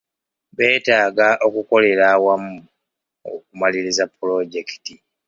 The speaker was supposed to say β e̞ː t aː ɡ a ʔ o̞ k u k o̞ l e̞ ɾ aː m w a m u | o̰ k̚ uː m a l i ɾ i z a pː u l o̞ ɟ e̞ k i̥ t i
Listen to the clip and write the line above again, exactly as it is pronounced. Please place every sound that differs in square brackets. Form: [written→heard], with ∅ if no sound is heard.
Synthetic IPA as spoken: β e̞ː t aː ɡ a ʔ o̞ k u k o̞ l e̞ ɾ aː [m→∅] w a m u | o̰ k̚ [uː→u] m a l i ɾ i z a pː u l o̞ ɟ e̞ k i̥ t i